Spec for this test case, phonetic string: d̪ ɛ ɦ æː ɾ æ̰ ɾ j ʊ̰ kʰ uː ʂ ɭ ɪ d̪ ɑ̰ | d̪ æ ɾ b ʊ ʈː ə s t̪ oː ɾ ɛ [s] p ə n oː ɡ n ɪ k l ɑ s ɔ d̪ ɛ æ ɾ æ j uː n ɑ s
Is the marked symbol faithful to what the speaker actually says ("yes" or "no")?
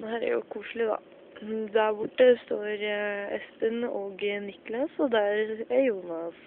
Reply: yes